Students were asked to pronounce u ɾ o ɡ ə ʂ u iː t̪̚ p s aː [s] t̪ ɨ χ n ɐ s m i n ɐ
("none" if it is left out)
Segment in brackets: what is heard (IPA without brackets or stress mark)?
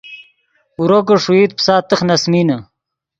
none